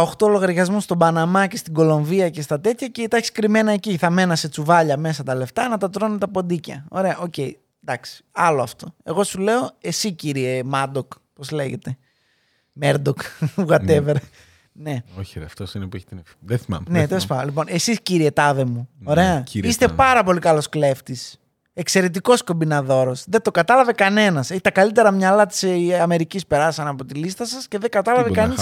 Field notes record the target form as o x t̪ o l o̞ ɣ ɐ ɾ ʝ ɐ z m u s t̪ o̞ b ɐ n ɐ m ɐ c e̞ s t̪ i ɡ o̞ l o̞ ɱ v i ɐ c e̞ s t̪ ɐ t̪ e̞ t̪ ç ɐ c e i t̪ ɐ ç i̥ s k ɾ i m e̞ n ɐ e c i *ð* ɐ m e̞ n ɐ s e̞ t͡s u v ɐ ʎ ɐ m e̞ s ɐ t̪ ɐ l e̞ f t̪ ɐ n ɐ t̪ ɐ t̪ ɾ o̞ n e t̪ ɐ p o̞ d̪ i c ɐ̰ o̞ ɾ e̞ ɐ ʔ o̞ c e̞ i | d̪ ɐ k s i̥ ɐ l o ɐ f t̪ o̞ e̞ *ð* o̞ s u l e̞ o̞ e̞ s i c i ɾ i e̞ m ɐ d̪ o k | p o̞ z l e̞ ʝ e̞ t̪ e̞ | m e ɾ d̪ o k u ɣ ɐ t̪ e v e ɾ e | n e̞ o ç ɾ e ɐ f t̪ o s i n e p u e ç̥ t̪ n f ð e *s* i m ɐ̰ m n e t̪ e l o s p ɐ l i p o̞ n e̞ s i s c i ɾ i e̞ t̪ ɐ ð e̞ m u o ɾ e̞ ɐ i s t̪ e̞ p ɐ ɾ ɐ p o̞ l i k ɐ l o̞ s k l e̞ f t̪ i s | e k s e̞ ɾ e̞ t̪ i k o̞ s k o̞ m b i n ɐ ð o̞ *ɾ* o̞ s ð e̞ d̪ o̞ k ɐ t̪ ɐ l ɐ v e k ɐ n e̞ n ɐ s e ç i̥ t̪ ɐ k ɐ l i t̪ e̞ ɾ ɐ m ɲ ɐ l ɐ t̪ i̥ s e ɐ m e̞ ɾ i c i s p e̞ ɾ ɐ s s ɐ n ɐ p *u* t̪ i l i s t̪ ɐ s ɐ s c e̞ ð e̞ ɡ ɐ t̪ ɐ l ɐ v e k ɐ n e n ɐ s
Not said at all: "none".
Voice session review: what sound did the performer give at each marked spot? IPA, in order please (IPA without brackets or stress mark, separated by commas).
θ, ɣ, θ, ɾ, o